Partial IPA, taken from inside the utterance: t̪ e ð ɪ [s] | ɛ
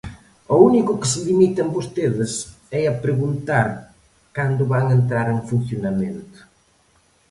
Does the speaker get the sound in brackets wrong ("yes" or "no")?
no